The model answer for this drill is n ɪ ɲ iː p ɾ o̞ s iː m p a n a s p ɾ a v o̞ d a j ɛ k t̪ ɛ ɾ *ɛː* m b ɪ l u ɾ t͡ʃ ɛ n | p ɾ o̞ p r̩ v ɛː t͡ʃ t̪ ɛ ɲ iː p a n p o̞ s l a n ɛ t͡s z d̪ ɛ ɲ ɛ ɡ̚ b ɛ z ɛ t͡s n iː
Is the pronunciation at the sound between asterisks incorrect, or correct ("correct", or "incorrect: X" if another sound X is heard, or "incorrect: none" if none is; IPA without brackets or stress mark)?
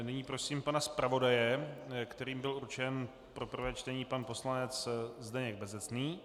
incorrect: iː